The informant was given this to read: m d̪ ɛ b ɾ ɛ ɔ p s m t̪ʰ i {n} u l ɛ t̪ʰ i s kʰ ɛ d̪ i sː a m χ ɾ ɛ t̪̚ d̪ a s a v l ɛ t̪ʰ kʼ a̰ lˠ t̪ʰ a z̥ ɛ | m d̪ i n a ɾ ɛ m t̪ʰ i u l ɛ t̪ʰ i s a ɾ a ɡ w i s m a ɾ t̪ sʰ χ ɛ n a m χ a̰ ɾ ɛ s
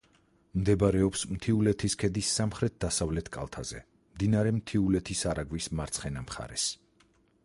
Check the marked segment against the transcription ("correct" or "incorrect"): incorrect